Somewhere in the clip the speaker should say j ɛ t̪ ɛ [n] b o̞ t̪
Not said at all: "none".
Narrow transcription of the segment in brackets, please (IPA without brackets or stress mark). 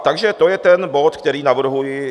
n